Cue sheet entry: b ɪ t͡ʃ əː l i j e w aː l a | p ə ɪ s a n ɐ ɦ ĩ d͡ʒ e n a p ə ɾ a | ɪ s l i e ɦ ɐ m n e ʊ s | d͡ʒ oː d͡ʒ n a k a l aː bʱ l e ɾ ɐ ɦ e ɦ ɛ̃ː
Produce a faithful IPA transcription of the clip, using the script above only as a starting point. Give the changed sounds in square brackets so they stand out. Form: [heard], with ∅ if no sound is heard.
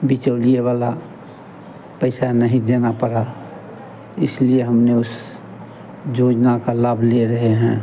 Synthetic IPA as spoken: b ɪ t͡ʃ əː l i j e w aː l a | p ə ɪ s a n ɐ ɦ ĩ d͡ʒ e n a p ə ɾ a | ɪ s l i e ɦ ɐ m n e ʊ s | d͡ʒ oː d͡ʒ n a k a l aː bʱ l e ɾ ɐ ɦ e ɦ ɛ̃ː